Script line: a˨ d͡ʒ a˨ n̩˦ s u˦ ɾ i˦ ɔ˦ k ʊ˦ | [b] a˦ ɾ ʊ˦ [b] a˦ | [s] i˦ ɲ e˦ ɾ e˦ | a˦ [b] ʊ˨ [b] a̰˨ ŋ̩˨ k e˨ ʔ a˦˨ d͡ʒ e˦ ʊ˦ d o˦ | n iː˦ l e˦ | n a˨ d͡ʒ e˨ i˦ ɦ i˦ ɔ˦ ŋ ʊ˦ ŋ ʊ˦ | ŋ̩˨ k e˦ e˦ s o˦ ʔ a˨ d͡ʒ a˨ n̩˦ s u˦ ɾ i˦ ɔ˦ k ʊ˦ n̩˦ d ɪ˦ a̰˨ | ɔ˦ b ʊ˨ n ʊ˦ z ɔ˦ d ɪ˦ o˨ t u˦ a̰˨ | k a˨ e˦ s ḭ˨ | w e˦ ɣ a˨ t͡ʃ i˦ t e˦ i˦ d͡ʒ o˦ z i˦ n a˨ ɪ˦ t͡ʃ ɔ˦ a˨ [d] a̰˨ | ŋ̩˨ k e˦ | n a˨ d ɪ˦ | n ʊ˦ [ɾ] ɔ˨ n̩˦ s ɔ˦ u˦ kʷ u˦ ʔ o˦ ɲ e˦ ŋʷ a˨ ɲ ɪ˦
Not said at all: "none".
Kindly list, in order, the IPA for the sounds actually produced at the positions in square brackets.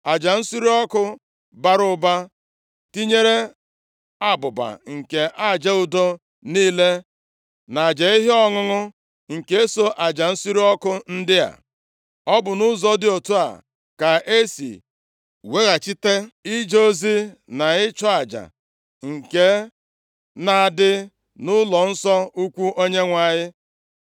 b, b, t, b, b, d͡ʒ, l

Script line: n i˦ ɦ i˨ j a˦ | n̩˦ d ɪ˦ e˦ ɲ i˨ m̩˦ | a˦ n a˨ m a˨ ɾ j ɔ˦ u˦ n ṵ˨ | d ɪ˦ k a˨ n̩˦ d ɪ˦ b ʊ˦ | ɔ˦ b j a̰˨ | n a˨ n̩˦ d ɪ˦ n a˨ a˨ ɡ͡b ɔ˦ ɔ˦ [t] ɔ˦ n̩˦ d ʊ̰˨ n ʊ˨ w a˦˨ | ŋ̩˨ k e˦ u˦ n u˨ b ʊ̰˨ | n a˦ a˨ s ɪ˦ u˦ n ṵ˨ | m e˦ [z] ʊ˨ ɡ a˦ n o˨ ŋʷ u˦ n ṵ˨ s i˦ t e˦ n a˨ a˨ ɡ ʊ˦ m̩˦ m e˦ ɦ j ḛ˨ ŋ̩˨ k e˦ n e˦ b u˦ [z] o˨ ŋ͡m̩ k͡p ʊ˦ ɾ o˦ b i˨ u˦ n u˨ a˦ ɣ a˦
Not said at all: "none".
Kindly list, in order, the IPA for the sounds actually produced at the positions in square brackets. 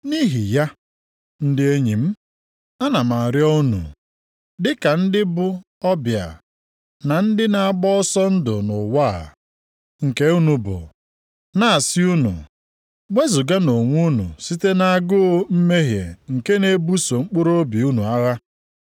s, z, s

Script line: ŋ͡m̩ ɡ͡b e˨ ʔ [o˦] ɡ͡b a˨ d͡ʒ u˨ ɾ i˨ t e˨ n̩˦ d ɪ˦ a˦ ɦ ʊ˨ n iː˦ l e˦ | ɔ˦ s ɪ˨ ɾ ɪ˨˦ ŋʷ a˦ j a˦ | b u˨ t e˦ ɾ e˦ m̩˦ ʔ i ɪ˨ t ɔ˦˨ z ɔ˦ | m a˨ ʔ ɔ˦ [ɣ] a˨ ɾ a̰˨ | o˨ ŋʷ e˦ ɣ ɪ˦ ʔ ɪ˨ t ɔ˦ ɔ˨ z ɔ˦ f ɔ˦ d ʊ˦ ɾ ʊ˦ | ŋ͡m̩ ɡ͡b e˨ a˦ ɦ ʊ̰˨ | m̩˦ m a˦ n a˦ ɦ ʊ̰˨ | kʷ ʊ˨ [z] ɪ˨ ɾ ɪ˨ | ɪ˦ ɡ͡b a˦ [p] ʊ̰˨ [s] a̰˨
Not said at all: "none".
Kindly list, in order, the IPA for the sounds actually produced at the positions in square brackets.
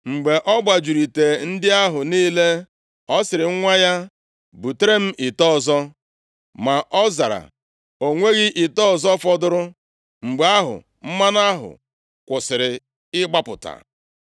ɔ˦, z, s, p, t

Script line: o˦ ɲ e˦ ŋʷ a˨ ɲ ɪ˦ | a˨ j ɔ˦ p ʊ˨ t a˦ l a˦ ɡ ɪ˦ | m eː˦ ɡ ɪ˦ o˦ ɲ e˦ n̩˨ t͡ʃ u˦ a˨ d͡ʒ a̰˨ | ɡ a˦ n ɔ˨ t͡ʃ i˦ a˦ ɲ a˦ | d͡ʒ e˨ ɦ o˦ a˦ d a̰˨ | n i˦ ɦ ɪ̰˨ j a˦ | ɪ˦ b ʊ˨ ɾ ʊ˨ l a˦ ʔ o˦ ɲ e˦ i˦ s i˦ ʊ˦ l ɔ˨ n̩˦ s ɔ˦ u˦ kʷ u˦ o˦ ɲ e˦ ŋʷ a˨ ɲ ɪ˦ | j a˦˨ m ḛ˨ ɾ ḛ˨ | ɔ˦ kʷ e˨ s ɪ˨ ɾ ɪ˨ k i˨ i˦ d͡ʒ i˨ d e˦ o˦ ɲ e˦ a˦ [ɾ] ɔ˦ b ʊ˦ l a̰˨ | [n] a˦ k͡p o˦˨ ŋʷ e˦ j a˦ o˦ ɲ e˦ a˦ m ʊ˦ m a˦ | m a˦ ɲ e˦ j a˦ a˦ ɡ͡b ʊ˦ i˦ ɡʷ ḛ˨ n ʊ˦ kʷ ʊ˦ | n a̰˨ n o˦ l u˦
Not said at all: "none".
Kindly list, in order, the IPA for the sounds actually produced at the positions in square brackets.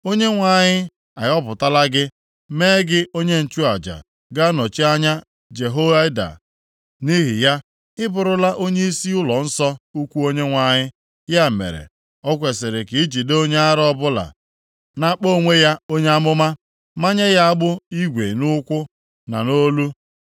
ɾ, n

